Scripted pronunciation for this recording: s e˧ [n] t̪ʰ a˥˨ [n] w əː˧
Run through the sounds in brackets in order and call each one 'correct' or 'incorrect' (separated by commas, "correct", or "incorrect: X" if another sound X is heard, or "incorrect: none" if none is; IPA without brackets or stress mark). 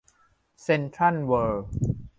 correct, correct